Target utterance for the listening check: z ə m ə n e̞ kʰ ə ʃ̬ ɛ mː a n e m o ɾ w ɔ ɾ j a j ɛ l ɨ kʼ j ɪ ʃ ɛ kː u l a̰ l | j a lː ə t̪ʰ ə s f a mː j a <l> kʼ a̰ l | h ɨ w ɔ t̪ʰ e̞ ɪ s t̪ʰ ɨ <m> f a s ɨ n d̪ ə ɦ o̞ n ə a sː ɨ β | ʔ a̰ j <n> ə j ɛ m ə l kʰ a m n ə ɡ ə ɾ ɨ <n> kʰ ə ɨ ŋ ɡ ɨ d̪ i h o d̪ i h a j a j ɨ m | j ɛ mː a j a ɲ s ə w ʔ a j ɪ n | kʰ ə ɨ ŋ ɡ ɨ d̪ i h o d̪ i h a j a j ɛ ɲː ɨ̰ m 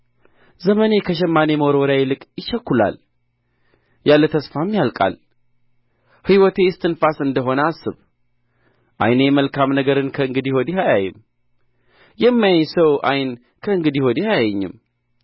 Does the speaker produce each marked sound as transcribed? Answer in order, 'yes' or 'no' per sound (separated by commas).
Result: yes, no, yes, yes